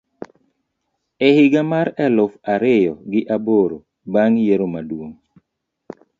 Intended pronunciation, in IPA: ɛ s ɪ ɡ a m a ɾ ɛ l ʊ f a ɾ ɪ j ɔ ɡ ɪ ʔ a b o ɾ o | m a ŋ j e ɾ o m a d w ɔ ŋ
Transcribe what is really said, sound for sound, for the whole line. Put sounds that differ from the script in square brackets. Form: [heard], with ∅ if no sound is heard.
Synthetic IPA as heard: ɛ [h] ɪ ɡ a m a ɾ ɛ l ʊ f a ɾ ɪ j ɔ ɡ ɪ ʔ a b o ɾ o | [b] a ŋ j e ɾ o m a d w [o] ŋ